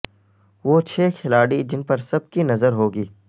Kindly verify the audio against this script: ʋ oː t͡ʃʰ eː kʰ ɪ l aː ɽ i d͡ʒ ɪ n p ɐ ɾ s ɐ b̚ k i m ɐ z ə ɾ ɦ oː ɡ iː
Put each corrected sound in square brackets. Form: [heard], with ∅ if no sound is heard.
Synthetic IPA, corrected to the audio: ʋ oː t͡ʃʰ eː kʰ ɪ l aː ɽ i d͡ʒ ɪ n p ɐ ɾ s ɐ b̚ k i [n] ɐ z ə ɾ ɦ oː ɡ iː